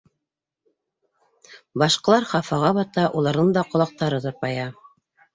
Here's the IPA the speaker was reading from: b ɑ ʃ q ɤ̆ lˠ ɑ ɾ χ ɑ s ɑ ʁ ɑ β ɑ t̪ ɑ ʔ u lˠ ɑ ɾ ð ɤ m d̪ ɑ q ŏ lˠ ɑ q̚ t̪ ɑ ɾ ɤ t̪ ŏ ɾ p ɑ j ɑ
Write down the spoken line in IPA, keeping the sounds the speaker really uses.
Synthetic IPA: b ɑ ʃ q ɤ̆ lˠ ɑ ɾ χ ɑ f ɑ ʁ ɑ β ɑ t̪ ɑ ʔ u lˠ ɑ ɾ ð ɤ ɴ d̪ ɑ q ŏ lˠ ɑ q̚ t̪ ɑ ɾ ɤ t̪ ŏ ɾ p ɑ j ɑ